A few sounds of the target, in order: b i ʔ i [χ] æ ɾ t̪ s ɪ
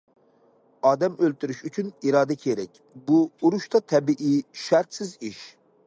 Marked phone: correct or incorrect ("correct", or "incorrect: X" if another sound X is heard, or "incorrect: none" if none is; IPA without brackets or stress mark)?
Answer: incorrect: ʃ